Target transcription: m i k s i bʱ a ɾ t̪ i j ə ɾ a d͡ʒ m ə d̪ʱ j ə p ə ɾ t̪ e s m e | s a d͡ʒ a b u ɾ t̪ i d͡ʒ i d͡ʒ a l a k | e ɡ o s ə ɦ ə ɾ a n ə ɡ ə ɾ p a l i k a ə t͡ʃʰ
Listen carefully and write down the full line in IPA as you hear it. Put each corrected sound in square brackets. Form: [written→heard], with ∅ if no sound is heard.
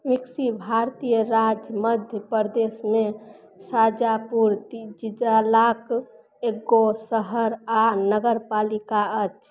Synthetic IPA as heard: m i k s i bʱ a ɾ t̪ i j ə ɾ a d͡ʒ m ə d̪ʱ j ə p ə ɾ [t̪→d̪] e s m e | s a d͡ʒ a [b→p] u ɾ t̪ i d͡ʒ i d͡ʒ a l a k | e ɡ o s ə ɦ ə ɾ a n ə ɡ ə ɾ p a l i k a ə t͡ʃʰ